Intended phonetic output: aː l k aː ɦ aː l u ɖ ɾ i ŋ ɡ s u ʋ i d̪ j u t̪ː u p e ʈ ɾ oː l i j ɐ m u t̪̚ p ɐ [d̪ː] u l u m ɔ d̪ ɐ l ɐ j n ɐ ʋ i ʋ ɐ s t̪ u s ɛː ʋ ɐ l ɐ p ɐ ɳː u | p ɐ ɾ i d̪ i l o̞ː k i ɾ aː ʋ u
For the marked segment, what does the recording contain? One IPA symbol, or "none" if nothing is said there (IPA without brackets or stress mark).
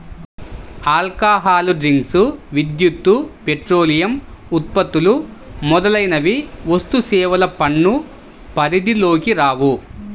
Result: t̪ː